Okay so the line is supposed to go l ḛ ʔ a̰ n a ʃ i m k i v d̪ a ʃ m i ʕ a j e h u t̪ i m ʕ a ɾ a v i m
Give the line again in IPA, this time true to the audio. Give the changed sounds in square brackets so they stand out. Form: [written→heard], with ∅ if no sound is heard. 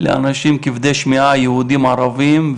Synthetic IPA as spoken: l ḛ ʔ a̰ n a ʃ i m k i v d̪ [a→e] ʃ m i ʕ a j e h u [t̪→d̪] i m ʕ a ɾ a v i m